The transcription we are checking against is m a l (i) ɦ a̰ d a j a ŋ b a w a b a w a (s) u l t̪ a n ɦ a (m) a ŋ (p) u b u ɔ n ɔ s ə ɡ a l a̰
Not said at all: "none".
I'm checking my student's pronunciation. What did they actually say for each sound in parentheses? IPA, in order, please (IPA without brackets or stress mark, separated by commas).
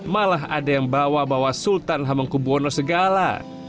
a, s, m, k